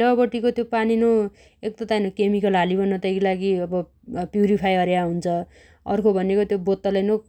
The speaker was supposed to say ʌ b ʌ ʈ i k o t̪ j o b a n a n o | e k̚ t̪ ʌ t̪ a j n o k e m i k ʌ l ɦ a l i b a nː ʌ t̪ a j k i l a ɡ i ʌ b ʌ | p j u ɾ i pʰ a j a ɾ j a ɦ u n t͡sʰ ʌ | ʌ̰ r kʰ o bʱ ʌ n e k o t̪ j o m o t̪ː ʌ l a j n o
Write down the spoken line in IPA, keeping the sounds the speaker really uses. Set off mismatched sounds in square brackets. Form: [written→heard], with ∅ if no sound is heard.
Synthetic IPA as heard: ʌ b ʌ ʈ i k o t̪ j o [b→p] a n [a→i] n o | e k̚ t̪ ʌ t̪ a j n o k e m i k ʌ l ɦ a l i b [a→ʌ] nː ʌ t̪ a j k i l a ɡ i ʌ b ʌ | p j u ɾ i pʰ a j [a→ʌ] ɾ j a ɦ u n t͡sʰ ʌ | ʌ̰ r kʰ o bʱ ʌ n e k o t̪ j o [m→b] o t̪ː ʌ l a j n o

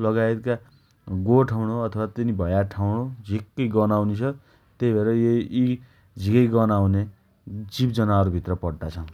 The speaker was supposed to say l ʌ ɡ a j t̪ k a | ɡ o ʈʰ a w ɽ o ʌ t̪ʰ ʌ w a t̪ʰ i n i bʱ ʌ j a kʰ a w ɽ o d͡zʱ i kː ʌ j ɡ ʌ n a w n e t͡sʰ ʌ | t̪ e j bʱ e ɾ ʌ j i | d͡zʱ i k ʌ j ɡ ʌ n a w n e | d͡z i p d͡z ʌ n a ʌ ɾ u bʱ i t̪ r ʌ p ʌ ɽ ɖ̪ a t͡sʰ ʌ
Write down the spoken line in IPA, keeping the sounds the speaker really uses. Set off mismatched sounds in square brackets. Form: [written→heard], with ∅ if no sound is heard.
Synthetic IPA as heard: l ʌ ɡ a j t̪ k a | ɡ o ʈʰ a w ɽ o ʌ t̪ʰ ʌ w a [t̪ʰ→t̪] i n i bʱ ʌ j a [kʰ→ʈʰ] a w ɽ o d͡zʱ i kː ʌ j ɡ ʌ n a w n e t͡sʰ ʌ | t̪ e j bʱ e ɾ ʌ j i | d͡zʱ i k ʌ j ɡ ʌ n a w n e | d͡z i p d͡z ʌ n a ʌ ɾ u bʱ i t̪ r ʌ p ʌ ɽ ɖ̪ a t͡sʰ ʌ

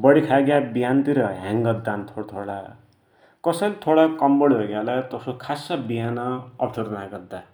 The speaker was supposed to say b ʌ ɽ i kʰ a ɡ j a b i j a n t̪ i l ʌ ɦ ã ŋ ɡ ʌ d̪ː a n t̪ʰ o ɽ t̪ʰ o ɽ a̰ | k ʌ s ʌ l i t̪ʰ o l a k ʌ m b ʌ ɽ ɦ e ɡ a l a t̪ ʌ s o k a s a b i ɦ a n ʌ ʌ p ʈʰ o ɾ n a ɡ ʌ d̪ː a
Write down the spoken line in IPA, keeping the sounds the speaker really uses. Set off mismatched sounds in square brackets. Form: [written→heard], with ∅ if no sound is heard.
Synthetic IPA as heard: b ʌ ɽ i kʰ a ɡ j a b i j a n t̪ i [l→ɾ] ʌ ɦ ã ŋ ɡ ʌ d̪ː a n t̪ʰ o ɽ t̪ʰ o ɽ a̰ | k ʌ s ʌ l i t̪ʰ o [l→ɽ] a k ʌ m b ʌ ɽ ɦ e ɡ a l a t̪ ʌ s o [k→kʰ] a s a b i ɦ a n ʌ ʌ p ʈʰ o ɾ n a ɡ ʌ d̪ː a

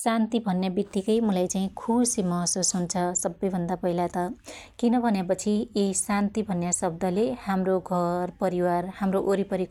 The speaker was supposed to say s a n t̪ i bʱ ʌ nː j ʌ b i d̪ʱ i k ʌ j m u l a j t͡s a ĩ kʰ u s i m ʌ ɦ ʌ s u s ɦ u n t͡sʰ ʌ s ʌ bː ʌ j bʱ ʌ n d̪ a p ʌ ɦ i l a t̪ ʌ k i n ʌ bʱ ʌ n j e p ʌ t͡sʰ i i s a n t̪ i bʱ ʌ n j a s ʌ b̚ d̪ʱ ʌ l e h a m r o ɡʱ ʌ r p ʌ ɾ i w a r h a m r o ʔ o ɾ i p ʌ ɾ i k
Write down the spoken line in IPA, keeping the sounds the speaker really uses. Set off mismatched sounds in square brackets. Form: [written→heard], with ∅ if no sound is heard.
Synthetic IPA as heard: s a n t̪ i bʱ ʌ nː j [ʌ→a] b i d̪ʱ i k ʌ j m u l a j t͡s a ĩ kʰ u s i m ʌ ɦ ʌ s u s ɦ u n t͡sʰ ʌ s ʌ bː ʌ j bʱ ʌ n d̪ a p ʌ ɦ i l a t̪ ʌ k i n ʌ bʱ ʌ n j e p ʌ t͡sʰ i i s a n t̪ i bʱ ʌ n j a s ʌ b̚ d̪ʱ ʌ l e h a m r o ɡʱ ʌ r p ʌ ɾ i w a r h a m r o ʔ o ɾ i p ʌ ɾ i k

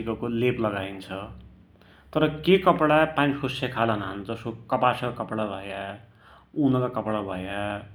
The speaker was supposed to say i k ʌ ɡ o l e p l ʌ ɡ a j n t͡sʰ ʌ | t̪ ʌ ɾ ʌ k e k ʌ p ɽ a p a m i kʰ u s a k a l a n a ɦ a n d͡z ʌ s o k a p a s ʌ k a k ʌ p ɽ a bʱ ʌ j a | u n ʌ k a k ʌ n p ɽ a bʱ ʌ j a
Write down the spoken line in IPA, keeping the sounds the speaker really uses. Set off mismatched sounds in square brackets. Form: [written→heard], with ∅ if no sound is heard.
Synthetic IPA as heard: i k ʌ [ɡ→k] o l e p l ʌ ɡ a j n t͡sʰ ʌ | t̪ ʌ ɾ ʌ k e k ʌ p ɽ a p a [m→n] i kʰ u s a [k→kʰ] a l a n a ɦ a n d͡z ʌ s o k [a→ʌ] p a s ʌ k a k ʌ p ɽ a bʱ ʌ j a | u n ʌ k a k ʌ [n→∅] p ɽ a bʱ ʌ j a

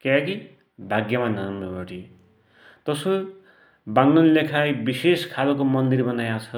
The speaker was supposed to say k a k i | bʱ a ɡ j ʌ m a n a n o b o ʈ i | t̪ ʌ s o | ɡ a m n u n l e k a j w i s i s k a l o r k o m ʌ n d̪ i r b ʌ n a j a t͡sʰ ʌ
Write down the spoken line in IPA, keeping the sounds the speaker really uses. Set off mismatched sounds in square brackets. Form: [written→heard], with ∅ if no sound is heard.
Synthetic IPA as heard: k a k i | bʱ a ɡ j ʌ m a n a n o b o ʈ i | t̪ ʌ s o | [ɡ→b] a [m→ŋ] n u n l e [k→kʰ] a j [w→b] i s [i→e] s [k→kʰ] a l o [r→∅] k o m ʌ n d̪ i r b ʌ n a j a t͡sʰ ʌ

